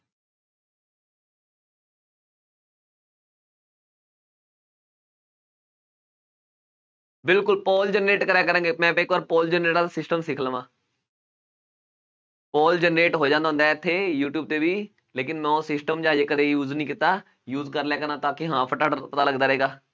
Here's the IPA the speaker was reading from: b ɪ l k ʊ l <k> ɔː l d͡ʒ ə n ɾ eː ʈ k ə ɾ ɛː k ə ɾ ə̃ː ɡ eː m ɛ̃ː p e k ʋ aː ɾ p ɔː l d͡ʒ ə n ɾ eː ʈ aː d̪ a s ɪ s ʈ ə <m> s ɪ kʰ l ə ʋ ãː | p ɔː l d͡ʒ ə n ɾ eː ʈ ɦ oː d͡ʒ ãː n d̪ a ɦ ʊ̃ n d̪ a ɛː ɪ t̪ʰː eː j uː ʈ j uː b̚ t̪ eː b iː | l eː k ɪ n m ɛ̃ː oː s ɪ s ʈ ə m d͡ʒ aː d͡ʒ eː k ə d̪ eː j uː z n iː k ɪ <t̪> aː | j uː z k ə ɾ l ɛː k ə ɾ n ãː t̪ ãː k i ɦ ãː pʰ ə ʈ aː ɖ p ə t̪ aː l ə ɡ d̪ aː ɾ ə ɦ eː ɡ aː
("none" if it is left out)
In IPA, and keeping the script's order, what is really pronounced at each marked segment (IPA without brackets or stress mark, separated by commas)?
p, m, t̪